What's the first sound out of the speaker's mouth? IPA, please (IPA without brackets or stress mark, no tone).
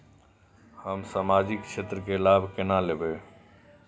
h